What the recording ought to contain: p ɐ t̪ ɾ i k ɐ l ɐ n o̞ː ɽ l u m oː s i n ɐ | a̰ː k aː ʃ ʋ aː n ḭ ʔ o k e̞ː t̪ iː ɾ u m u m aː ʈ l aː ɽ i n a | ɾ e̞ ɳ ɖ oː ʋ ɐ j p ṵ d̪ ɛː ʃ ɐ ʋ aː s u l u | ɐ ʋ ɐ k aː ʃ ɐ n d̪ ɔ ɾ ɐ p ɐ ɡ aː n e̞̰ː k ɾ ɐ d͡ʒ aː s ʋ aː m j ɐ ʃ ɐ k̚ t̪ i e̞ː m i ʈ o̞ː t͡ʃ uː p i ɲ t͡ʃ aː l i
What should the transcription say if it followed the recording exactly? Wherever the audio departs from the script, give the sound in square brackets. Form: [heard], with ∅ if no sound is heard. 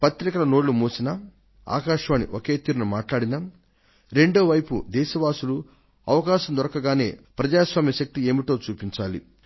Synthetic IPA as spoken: p ɐ t̪ ɾ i k ɐ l ɐ n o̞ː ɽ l u m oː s i n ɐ | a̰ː k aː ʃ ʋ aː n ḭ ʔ o k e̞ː t̪ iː ɾ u [n] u m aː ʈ l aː ɽ i n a | ɾ e̞ ɳ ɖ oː ʋ ɐ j p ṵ d̪ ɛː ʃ ɐ ʋ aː s u l u | ɐ ʋ ɐ k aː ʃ ɐ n d̪ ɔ ɾ ɐ [k] ɐ ɡ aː n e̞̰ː [p] ɾ ɐ d͡ʒ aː s ʋ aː m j ɐ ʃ ɐ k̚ t̪ i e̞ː m i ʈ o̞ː t͡ʃ uː p i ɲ t͡ʃ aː l i